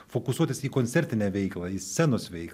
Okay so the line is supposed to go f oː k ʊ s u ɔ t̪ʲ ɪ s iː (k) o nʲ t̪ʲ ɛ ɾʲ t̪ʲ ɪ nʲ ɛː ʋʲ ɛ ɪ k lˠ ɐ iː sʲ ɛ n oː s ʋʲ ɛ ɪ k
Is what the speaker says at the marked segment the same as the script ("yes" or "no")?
yes